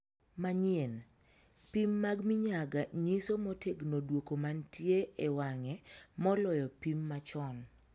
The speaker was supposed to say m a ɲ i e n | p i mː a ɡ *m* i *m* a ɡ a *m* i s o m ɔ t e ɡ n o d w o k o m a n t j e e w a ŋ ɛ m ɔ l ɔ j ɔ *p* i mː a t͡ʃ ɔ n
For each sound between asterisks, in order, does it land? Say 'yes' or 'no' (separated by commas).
yes, no, no, yes